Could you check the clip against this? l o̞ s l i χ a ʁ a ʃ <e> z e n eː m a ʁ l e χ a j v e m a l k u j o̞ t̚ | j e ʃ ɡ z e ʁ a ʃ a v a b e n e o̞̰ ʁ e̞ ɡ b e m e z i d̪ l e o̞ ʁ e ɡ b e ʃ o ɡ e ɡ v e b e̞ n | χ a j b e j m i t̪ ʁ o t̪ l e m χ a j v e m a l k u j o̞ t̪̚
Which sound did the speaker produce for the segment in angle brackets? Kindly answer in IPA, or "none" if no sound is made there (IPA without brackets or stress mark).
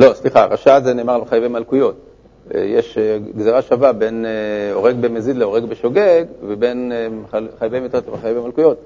a